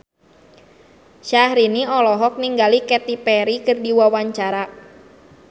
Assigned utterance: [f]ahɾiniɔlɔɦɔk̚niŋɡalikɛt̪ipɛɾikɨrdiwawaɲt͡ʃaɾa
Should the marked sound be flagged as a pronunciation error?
yes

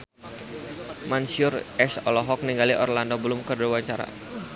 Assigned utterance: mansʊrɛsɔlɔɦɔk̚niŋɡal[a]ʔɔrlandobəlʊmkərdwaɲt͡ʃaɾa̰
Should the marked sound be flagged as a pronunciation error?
yes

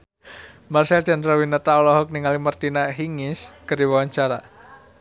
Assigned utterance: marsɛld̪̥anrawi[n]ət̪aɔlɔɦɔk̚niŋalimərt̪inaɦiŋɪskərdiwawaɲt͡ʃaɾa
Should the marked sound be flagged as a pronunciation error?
no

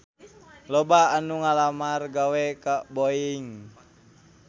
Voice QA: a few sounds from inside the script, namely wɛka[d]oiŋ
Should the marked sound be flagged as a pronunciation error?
yes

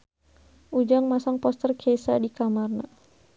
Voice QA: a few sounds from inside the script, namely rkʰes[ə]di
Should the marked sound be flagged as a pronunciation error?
yes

